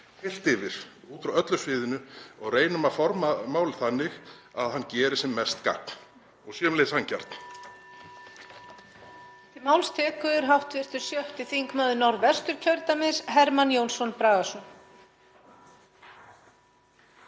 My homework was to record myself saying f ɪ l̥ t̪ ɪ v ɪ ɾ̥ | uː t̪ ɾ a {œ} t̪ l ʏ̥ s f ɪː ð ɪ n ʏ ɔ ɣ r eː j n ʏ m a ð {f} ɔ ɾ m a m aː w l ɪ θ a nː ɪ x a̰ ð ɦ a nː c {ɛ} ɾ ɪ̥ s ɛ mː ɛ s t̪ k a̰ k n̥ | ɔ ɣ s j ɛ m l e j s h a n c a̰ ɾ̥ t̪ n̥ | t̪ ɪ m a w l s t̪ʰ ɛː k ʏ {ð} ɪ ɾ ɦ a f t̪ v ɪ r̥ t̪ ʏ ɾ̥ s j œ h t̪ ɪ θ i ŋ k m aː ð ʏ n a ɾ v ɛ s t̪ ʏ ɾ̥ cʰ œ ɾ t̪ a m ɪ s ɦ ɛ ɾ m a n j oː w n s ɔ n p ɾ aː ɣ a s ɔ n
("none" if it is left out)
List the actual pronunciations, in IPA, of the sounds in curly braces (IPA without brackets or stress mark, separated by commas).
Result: œ, f, ɛː, ð